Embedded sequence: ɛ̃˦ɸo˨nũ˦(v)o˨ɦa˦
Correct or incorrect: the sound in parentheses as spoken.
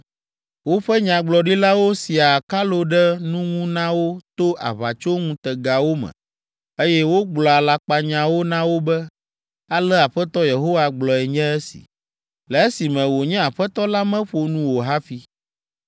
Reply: incorrect: w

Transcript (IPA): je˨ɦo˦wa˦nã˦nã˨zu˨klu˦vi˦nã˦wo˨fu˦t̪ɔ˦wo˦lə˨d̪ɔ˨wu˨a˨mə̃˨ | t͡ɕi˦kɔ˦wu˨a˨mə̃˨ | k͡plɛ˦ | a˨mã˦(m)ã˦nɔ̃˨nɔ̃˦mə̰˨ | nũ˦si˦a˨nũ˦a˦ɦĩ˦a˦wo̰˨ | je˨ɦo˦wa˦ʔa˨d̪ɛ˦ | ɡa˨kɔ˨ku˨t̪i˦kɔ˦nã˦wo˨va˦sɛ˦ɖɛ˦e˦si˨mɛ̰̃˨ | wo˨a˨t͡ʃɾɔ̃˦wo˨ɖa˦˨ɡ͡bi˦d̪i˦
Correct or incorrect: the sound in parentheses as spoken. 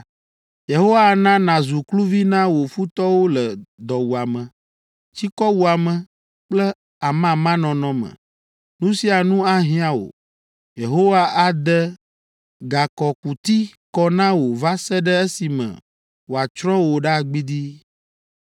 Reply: correct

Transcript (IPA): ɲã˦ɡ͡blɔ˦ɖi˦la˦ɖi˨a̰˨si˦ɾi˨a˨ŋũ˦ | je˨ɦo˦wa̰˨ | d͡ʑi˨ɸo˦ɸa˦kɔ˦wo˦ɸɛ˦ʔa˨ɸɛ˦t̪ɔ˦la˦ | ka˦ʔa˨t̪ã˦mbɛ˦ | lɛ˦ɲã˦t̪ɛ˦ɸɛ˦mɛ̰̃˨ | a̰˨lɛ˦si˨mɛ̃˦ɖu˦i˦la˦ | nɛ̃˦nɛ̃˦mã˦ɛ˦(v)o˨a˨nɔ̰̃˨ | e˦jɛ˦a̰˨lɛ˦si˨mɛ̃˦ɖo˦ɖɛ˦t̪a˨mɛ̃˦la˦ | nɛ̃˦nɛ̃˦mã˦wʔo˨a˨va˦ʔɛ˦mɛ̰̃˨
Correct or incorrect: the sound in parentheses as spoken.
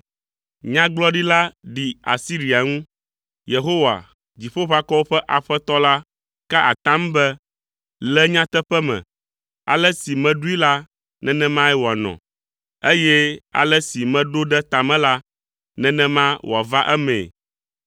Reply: incorrect: w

